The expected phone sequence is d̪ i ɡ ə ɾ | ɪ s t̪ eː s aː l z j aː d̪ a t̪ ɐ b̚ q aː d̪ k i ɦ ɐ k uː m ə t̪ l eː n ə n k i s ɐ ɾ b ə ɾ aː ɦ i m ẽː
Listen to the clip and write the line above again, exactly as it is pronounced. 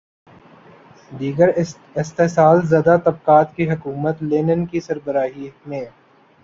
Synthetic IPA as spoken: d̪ iː ɡ ə ɾ | ɪ s t̪ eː s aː l z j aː d̪ a t̪ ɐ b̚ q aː t̪ k i ɦ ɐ k uː m ə t̪ l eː n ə n k i s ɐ ɾ b ə ɾ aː ɦ i m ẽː